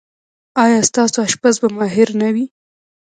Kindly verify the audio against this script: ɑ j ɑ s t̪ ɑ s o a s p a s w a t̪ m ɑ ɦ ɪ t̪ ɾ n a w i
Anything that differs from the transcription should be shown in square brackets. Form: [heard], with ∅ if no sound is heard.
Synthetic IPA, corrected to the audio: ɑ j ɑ s t̪ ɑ s o a [ʃ] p a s [b] a [∅] m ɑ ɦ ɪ [∅] ɾ n a w i